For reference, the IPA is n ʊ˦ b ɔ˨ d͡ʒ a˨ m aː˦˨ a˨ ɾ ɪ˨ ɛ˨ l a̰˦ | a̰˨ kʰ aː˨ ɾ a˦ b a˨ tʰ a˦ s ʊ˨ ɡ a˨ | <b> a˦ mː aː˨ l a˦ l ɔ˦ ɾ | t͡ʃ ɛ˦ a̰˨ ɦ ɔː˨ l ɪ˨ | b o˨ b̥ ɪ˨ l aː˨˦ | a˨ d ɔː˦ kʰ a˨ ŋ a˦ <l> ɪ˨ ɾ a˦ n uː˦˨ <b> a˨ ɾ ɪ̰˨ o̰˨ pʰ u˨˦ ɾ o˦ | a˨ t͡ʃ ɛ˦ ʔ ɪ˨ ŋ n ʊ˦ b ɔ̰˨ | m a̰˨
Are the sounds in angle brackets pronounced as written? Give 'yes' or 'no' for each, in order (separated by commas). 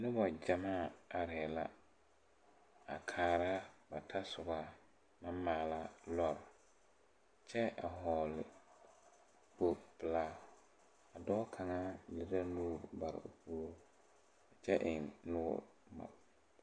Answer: no, yes, yes